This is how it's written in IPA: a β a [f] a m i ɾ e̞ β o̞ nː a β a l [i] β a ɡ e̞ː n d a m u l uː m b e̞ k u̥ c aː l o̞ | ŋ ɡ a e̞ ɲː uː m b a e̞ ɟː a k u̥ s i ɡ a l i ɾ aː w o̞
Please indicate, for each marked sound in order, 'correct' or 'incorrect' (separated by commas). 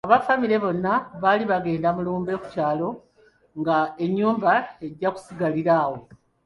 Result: correct, correct